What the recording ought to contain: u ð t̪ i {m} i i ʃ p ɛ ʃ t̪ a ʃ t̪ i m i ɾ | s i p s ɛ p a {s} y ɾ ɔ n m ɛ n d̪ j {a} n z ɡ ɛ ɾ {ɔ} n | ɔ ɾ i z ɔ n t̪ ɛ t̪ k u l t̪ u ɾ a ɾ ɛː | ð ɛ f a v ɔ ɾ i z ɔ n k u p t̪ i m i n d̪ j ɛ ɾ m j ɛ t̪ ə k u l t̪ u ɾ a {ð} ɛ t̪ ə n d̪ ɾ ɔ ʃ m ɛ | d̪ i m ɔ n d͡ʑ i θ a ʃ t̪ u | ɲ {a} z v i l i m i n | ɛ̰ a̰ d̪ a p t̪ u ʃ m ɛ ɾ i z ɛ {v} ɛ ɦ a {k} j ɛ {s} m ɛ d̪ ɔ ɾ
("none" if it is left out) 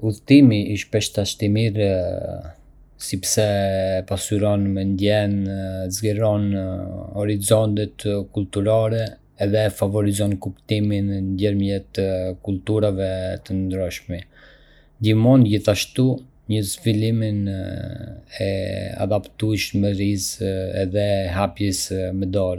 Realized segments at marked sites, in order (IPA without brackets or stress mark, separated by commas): m, s, ɛ, ɔ, v, ə, ð, p, s